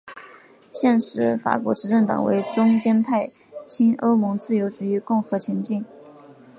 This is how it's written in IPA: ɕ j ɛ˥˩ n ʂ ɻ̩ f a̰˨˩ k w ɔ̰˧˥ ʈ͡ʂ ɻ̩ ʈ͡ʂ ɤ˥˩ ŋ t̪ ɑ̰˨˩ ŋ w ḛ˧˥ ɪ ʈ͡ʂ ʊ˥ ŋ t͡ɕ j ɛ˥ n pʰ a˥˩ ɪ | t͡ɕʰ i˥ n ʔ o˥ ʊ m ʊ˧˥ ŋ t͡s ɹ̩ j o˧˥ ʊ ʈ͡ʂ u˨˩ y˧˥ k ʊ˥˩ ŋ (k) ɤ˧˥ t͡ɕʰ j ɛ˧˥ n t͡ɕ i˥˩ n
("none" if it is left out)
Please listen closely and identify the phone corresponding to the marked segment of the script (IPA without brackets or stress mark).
x